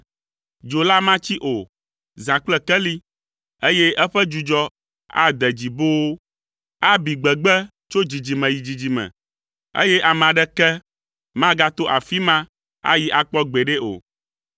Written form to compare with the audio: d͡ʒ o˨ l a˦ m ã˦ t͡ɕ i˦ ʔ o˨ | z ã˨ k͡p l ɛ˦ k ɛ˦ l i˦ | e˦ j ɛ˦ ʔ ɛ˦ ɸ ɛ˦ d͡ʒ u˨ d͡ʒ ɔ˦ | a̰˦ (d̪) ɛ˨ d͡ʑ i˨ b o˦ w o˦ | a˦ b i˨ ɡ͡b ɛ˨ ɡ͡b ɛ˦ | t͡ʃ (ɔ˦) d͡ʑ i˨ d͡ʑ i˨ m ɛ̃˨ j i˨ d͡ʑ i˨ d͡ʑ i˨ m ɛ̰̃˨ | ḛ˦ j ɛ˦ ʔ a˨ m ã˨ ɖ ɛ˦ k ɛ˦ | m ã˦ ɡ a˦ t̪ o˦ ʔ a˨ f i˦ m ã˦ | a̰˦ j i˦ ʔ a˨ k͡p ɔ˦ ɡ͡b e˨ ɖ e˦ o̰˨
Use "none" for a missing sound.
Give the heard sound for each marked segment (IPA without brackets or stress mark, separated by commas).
d̪, o˦